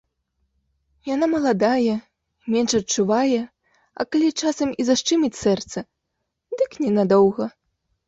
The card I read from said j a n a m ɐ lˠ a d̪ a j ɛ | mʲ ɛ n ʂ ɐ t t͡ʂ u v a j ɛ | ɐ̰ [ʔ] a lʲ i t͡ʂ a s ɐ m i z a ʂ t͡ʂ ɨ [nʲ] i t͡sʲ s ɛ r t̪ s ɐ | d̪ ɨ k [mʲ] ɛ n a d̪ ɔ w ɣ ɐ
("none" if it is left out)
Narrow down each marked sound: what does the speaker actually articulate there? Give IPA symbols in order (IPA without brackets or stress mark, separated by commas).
k, mʲ, nʲ